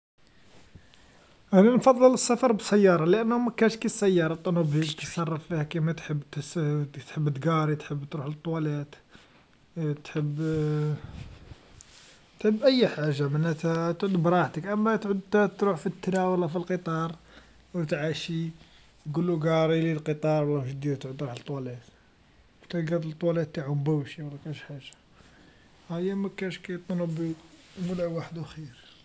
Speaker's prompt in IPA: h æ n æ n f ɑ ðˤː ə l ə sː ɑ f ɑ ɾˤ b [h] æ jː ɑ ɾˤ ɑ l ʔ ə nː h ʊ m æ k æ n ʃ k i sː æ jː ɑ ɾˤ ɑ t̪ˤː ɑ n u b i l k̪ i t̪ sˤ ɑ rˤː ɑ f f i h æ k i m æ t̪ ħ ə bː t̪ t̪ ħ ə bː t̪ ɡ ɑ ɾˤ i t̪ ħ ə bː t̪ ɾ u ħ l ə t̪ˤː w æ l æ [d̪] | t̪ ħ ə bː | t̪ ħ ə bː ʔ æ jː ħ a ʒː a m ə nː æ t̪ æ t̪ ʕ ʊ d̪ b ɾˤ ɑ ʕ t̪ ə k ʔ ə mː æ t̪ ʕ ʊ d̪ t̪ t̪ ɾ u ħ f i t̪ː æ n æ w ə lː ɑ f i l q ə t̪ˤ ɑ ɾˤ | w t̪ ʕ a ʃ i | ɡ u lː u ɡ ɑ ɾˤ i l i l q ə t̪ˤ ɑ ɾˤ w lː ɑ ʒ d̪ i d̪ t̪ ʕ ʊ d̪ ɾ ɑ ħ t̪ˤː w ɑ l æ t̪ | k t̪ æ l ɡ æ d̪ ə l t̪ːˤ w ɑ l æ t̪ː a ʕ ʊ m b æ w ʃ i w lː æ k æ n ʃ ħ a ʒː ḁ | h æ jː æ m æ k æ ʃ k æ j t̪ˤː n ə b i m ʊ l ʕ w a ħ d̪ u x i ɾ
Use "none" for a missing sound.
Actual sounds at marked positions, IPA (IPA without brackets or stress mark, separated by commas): s, t̪